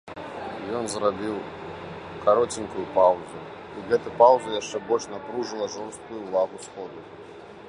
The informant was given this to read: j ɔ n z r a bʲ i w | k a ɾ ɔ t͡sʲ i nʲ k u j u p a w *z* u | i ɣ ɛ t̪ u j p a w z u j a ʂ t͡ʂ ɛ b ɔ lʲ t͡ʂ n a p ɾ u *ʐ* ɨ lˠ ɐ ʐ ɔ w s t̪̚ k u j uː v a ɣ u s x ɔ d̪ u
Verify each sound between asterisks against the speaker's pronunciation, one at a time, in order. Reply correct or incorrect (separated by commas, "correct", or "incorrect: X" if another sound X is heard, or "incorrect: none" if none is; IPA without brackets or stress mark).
correct, correct